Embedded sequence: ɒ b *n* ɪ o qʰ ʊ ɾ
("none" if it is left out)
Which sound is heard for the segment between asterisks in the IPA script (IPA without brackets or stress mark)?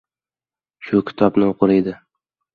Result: n